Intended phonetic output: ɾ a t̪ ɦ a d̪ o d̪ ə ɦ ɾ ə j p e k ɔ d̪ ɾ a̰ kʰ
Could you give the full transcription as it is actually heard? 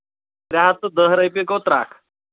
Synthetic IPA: ɾ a ɦ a t̪ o d̪ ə ɦ ɾ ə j p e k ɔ t̪ ɾ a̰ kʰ